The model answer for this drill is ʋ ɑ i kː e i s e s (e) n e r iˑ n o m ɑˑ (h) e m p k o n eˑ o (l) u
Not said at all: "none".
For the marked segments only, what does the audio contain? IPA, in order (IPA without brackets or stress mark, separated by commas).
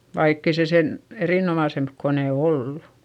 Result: e, s, lː